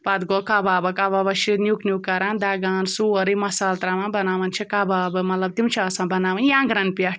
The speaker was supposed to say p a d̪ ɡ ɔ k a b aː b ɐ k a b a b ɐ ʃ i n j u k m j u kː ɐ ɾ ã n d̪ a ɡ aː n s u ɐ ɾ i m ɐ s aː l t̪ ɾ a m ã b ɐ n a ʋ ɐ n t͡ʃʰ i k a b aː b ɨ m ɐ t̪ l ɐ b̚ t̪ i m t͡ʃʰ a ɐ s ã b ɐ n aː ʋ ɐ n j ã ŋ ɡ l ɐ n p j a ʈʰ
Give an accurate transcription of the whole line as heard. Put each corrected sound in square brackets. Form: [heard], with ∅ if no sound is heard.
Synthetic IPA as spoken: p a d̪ ɡ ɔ k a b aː b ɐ k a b a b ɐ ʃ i n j u k [n] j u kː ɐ ɾ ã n d̪ a ɡ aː n s u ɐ ɾ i m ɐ s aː l t̪ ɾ a m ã b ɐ n a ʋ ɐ n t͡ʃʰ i k a b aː b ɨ m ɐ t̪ l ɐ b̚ t̪ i m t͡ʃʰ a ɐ s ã b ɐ n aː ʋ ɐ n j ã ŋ ɡ [ɾ] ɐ n p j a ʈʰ